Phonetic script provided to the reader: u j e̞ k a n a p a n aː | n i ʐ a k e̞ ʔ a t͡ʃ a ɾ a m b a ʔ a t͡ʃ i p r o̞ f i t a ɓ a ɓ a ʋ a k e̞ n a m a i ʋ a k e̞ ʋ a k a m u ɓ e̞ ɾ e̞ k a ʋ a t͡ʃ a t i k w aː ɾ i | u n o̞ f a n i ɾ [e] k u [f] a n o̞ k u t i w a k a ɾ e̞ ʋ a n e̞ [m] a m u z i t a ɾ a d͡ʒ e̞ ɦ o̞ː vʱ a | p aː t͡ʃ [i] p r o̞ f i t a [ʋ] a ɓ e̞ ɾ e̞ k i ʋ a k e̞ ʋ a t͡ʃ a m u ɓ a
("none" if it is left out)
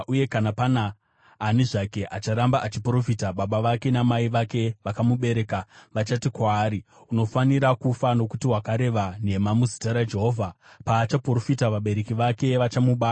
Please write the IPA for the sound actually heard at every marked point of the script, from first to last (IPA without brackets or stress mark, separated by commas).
a, f, m, a, ʋ